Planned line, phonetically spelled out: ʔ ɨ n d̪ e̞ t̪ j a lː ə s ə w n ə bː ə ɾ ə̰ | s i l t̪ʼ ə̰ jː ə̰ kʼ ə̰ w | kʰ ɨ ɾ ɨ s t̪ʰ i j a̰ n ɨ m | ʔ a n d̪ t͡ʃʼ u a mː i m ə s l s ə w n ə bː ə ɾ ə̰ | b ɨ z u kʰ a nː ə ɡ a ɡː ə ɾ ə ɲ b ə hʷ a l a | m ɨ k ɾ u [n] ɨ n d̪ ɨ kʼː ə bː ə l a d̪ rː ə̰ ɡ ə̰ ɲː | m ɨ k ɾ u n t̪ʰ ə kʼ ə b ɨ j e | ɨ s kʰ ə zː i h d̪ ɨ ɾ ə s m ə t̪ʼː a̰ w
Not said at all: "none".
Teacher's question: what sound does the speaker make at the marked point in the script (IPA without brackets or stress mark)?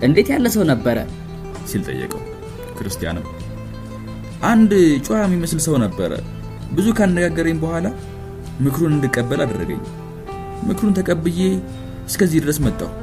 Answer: n